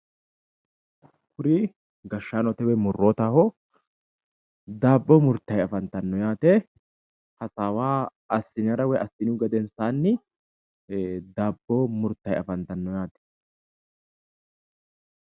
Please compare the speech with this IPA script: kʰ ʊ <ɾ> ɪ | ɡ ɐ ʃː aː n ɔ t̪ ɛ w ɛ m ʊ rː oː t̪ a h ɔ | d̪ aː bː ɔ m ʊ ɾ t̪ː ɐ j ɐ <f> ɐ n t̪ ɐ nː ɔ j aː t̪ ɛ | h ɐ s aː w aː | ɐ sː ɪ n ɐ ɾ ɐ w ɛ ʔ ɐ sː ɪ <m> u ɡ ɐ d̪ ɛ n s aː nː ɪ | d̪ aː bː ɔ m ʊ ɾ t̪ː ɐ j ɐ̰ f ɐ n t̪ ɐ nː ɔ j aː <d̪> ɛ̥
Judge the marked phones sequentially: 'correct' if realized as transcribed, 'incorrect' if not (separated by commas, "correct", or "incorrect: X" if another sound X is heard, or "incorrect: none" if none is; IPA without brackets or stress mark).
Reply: correct, correct, incorrect: n, incorrect: t̪